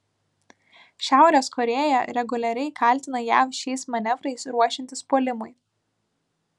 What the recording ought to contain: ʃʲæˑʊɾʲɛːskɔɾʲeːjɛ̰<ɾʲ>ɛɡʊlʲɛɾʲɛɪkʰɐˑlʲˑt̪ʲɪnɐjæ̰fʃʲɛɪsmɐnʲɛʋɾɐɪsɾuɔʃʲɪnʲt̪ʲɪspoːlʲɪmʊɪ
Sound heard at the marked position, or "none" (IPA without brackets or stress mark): ɾʲ